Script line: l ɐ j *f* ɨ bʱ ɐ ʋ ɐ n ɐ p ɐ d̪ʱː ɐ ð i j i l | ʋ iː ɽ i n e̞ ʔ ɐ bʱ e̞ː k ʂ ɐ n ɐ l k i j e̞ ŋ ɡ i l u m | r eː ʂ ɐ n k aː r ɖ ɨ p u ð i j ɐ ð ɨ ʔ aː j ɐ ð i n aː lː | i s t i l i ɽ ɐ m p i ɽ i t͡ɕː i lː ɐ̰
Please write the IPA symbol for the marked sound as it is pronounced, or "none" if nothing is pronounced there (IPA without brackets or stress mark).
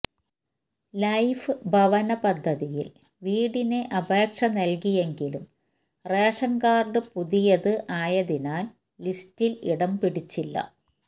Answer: f